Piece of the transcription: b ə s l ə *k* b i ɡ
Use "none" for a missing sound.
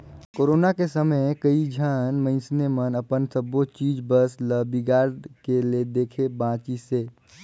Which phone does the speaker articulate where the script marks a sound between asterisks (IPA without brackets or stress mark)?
none